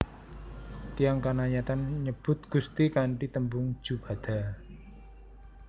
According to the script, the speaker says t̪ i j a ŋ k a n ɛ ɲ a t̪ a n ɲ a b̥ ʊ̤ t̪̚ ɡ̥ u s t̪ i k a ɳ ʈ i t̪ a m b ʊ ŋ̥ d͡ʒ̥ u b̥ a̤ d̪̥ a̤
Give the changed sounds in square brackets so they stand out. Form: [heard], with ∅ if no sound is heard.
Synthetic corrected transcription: t̪ i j a ŋ k a n [a] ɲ a t̪ a n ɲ [ə] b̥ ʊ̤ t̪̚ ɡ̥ u s t̪ i k a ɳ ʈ i t̪ [ə] m b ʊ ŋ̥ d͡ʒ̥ u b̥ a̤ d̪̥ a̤